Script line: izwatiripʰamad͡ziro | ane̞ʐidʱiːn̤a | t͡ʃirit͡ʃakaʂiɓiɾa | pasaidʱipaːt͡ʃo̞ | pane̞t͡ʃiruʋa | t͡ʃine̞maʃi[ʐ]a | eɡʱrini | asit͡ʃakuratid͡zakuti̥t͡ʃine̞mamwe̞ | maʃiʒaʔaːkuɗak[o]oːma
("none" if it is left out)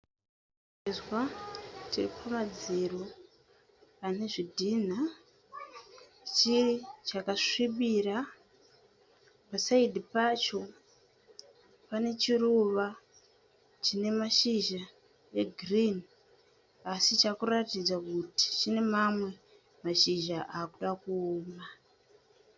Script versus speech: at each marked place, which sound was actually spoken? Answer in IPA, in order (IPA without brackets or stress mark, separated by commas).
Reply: ʒ, u